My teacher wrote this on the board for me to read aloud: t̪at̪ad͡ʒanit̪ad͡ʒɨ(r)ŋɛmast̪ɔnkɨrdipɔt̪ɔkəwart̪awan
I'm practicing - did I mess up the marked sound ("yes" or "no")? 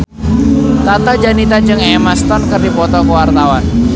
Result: yes